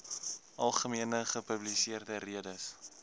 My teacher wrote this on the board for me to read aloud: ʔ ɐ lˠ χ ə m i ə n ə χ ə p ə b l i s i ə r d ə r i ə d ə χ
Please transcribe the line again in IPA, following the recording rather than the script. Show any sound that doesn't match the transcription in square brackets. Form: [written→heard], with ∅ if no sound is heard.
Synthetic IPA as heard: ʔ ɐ lˠ χ ə m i ə n ə χ ə p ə b l i s i ə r d ə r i ə d ə [χ→s]